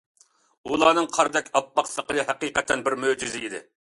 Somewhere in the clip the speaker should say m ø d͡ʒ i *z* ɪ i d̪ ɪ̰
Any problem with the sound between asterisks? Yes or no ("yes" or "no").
no